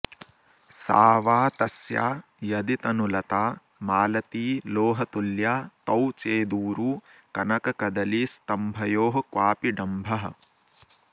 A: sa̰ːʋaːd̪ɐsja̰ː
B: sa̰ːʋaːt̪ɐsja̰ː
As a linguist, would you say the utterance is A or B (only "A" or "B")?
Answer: B